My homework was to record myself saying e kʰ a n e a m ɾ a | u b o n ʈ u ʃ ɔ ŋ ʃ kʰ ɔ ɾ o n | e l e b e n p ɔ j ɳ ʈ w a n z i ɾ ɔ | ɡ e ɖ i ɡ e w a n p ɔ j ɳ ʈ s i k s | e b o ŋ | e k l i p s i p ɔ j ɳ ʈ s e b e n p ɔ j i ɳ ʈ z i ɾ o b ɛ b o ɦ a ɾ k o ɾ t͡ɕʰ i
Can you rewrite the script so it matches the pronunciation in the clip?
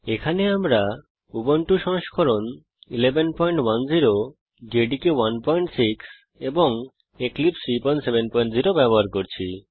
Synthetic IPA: e kʰ a n e a m ɾ a | u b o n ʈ u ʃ ɔ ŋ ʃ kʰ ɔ ɾ o n | i l e b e n p ɔ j ɳ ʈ w a n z i ɾ o | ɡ e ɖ i k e w a n p ɔ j ɳ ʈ s i k s | e b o ŋ | e k l i p s i p ɔ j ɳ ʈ s e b e n p ɔ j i ɳ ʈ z i ɾ o b ɛ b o ɦ a ɾ k o ɾ t͡ɕʰ i